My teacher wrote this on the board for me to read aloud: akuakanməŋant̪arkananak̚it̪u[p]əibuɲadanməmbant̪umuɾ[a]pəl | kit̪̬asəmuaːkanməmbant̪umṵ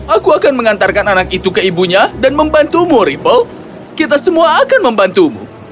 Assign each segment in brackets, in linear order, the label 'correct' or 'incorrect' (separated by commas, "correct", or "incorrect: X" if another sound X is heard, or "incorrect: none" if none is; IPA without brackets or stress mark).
incorrect: k, incorrect: i